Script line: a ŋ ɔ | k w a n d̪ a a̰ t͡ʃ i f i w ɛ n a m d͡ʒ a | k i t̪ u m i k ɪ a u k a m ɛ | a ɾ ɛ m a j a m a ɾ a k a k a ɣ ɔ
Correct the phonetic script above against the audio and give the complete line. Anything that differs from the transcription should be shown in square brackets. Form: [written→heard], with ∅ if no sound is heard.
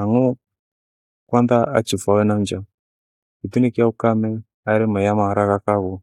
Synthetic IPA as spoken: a ŋ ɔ | k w a n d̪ a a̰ t͡ʃ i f [i→a] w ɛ n a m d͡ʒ a | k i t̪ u [m→n] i k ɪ a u k a m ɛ | a ɾ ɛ m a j a m a ɾ a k a k a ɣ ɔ

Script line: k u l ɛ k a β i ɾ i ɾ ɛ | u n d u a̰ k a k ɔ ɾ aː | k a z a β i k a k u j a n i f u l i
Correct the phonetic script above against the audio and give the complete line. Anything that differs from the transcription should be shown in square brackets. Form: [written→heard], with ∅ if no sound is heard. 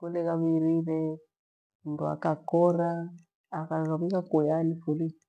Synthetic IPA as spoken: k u l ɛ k a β i ɾ i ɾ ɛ | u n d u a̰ k a k ɔ ɾ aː | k a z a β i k a k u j a n i f u l i

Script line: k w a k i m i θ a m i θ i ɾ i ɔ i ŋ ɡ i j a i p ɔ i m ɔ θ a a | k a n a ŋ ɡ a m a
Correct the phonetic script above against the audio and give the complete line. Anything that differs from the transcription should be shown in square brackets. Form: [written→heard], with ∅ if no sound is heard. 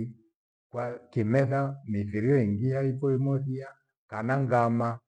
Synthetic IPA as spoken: k w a k i m [i→ɛ] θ a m i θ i ɾ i ɔ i ŋ ɡ i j a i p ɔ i m ɔ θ [a→i] a | k a n a ŋ ɡ a m a

